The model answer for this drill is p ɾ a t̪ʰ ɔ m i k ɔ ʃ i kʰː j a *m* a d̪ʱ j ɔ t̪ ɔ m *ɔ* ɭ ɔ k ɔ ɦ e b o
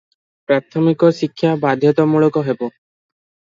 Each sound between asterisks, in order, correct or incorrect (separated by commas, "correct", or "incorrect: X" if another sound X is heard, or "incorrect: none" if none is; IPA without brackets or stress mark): incorrect: b, incorrect: u